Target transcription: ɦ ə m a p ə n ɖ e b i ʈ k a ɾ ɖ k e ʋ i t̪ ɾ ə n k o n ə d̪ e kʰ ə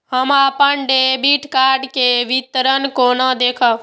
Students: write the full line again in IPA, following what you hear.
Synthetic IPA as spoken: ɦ ə m a p ə n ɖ e b i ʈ k a ɾ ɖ k e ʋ i t̪ ɾ ə n k o n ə d̪ e kʰ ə

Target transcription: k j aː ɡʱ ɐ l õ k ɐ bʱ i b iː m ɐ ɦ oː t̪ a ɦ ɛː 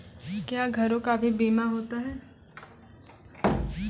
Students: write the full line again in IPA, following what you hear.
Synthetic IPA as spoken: k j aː ɡʱ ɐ ɾ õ k a bʱ i b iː m a ɦ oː t̪ a ɦ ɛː

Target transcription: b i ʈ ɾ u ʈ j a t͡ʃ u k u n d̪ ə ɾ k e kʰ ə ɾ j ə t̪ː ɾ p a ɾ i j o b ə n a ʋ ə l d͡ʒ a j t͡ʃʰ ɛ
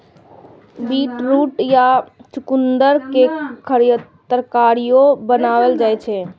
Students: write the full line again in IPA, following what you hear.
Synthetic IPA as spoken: b i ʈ ɾ u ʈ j a t͡ʃ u k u n d̪ ə ɾ k e kʰ ə ɾ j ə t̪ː ɾ k a ɾ i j o b ə n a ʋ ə l d͡ʒ a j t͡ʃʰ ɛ

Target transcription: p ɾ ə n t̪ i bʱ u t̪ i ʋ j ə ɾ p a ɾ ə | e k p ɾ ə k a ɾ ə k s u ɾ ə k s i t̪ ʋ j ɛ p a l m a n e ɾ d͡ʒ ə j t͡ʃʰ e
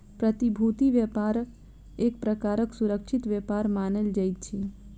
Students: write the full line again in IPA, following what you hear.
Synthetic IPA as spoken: p ɾ ə t̪ i bʱ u t̪ i ʋ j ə p a ɾ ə | e k p ɾ ə k a ɾ ə k s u ɾ ə k ʃ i t̪ ʋ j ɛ p a ɾ m a n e l d͡ʒ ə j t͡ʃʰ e

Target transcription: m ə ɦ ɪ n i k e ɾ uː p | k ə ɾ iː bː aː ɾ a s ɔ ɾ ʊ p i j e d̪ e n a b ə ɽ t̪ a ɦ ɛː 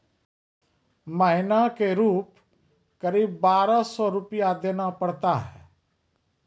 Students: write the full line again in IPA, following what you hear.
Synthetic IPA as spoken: m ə ɦ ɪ n a k e ɾ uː p | k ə ɾ iː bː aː ɾ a s ɔ ɾ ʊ p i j a d̪ e n a p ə ɽ t̪ a ɦ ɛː

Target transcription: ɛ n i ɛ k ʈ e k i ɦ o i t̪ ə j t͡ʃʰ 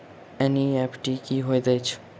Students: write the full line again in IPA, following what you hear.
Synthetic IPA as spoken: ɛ n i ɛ p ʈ i k i ɦ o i d̪ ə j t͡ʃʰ

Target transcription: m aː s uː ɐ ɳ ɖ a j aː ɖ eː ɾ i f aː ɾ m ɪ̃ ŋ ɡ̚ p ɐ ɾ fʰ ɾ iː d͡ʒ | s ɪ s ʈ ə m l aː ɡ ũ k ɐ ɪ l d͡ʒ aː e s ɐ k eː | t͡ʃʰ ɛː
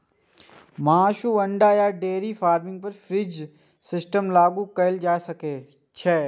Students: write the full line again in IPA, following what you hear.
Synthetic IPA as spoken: m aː ʃ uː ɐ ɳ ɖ a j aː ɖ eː ɾ i f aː ɾ m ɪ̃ ŋ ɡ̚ p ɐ ɾ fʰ ɾ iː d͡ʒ | s ɪ s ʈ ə m l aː ɡ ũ k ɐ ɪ l d͡ʒ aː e s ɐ k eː | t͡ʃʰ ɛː

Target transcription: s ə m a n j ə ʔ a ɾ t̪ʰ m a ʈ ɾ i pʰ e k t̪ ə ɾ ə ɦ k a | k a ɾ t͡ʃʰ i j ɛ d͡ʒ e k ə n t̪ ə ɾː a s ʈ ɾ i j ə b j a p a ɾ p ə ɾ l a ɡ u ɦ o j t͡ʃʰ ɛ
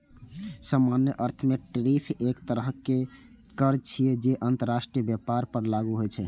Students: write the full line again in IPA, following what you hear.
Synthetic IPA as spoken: s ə m a n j ə ʔ ə ɾ t̪ʰ m e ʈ ɾ i pʰ e k t̪ ə ɾ ə ɦ k e | k ə ɾ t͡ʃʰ i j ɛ d͡ʒ e ʔ ə n t̪ ə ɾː a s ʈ ɾ i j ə b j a p a ɾ p ə ɾ l a ɡ u ɦ o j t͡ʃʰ ɛ

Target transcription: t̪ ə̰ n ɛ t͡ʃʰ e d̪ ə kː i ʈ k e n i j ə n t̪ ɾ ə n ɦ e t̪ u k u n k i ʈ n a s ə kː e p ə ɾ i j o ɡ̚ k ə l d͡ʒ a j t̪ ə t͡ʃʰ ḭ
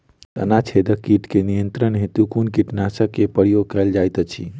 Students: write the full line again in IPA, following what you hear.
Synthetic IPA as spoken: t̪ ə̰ n a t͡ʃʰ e d̪ ə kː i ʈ k e n i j ə n t̪ ɾ ə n ɦ e t̪ u k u n k i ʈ n a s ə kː e p ə ɾ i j o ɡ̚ k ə l d͡ʒ a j t̪ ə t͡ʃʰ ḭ

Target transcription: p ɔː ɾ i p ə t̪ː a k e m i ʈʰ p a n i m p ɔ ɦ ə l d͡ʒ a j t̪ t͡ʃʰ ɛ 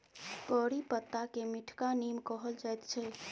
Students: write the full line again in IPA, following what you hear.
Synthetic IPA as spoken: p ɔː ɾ i p ə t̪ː a k e m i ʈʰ k a n i m k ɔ ɦ ə l d͡ʒ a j t̪ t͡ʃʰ ɛ

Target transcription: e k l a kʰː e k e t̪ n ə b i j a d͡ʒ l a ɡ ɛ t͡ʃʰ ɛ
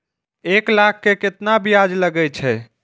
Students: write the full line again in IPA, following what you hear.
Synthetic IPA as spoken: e k l a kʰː e k e t̪ n a b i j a d͡ʒ l ə ɡ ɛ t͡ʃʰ ɛ

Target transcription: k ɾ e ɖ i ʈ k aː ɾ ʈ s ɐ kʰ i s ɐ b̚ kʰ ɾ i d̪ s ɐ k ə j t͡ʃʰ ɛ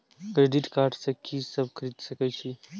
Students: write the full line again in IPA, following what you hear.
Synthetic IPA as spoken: k ɾ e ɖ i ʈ k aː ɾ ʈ s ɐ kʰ i s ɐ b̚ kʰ ɾ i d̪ s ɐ k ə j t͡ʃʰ i

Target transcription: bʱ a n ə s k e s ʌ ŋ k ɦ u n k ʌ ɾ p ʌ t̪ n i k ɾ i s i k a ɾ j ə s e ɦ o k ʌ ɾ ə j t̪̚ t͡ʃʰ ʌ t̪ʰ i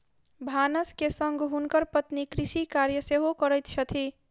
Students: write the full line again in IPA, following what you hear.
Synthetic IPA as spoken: bʱ a n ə s k e s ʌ ŋ ɡ ɦ u n k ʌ ɾ p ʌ t̪ n i k ɾ i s i k a ɾ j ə s e ɦ o k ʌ ɾ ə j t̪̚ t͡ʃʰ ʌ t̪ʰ i

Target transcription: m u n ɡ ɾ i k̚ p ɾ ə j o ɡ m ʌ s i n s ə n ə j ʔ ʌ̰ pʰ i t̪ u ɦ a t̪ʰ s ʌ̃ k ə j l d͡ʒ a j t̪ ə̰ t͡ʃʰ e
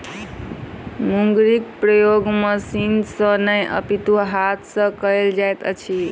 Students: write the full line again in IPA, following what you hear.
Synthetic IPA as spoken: m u ŋ ɡ ɾ i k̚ p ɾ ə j o ɡ m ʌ s i n s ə n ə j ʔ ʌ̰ p i t̪ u ɦ a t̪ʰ s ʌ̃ k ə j l d͡ʒ a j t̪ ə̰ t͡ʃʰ i

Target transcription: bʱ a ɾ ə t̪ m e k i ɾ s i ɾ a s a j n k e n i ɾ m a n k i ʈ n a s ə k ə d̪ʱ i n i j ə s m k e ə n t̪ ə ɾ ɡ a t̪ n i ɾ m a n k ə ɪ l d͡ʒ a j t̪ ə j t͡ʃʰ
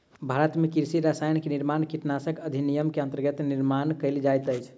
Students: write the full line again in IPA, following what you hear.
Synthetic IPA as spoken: bʱ a ɾ ə t̪ m e k i ɾ s i ɾ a s a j n k e n i ɾ m a n k i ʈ n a s ə k ə d̪ʱ i n i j ə m k e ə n t̪ ə ɾ ɡ ə t̪ n i ɾ m a n k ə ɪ l d͡ʒ a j t̪ ə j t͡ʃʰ

